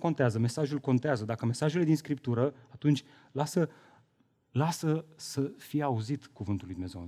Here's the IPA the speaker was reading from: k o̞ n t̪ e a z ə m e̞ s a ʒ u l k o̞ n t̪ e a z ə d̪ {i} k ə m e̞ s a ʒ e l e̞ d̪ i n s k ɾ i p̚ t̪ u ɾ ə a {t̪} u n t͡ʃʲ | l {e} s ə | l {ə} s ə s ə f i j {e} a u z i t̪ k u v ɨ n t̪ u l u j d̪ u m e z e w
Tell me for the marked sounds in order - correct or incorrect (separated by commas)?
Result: incorrect, correct, incorrect, incorrect, correct